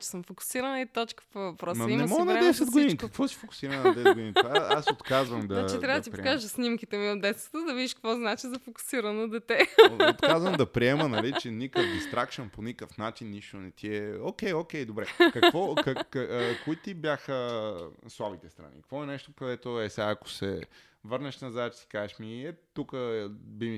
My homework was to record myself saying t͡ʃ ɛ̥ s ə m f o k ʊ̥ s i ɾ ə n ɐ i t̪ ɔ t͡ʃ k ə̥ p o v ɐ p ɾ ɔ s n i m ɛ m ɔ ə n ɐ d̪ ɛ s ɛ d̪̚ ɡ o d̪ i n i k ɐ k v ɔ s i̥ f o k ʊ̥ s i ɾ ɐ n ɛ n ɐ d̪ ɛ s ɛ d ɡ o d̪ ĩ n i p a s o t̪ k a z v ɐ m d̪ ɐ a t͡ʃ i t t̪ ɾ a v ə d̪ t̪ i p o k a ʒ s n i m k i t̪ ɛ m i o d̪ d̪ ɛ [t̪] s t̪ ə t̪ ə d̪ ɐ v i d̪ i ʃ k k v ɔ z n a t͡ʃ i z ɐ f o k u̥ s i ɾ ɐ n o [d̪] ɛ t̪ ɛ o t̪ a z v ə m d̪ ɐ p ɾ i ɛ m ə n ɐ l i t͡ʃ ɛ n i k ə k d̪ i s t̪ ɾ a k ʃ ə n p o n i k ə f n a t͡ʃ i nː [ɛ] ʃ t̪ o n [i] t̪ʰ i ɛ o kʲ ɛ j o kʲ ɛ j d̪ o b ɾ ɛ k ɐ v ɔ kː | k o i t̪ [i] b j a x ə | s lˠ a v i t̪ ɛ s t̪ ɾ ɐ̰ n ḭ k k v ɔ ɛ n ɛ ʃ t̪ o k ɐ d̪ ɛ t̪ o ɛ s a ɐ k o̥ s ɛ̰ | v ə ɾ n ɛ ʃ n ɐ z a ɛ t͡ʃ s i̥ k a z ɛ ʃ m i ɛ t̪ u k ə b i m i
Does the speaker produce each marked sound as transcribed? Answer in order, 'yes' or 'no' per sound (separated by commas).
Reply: yes, yes, no, no, yes